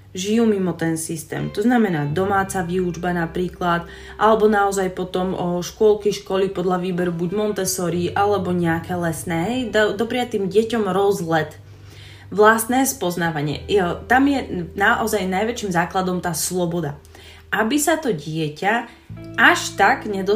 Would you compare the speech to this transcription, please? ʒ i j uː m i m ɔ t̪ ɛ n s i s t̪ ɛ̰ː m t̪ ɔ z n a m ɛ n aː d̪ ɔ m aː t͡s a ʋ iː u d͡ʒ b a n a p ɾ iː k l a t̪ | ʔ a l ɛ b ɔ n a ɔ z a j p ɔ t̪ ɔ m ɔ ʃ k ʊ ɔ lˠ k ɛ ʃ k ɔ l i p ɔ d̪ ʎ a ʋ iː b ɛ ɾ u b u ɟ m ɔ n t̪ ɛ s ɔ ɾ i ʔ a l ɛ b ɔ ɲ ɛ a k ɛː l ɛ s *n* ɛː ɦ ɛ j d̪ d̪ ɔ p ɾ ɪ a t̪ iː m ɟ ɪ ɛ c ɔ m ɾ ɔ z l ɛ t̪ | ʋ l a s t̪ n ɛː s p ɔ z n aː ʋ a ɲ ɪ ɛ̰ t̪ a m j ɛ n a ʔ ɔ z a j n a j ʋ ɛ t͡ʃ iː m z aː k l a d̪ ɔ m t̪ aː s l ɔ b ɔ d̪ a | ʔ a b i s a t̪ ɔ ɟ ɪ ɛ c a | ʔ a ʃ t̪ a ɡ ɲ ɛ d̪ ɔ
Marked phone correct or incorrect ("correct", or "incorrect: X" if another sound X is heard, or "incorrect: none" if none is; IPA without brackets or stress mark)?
correct